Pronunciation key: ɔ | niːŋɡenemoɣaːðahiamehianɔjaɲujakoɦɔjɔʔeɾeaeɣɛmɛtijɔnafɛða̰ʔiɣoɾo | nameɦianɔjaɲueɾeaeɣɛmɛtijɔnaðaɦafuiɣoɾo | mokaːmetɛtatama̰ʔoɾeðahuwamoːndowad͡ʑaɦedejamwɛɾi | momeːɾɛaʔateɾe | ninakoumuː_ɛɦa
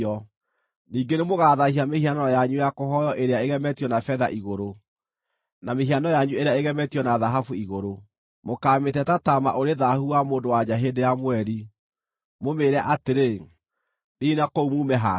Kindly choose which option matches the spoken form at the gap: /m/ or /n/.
m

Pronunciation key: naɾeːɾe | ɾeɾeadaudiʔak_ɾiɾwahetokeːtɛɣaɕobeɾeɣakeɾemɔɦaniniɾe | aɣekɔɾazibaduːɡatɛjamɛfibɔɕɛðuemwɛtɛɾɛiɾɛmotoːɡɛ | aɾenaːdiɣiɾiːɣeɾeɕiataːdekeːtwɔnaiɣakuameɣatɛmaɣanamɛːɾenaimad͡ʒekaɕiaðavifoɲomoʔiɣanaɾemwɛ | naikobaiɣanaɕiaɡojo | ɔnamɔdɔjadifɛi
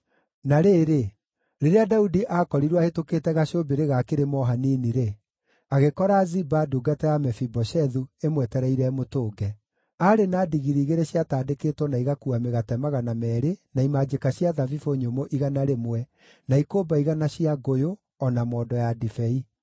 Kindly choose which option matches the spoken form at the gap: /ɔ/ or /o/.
ɔ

